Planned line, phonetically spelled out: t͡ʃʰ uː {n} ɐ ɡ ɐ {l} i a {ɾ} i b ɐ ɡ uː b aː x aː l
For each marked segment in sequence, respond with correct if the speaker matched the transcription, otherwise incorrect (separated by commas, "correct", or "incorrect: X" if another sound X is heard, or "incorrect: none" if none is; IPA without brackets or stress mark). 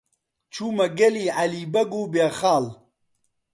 incorrect: m, correct, incorrect: l